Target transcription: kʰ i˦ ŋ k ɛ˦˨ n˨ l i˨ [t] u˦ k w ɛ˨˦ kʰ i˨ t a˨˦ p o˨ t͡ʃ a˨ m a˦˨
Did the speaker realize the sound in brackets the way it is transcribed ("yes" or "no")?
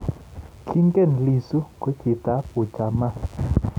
no